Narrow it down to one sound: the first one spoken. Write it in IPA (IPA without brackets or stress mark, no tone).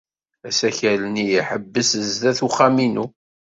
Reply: æ